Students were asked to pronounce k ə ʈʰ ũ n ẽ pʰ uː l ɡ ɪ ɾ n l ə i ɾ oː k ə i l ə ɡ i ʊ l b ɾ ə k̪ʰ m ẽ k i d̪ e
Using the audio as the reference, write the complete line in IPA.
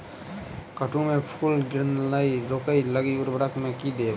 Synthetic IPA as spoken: k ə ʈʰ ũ m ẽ pʰ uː l ɡ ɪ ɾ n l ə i ɾ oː k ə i l ə ɡ i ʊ ɾ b ɾ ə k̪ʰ m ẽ k i d̪ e